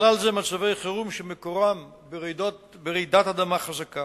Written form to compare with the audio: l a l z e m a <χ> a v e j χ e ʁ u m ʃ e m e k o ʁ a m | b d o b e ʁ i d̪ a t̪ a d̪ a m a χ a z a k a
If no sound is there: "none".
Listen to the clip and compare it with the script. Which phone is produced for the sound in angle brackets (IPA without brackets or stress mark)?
ʃ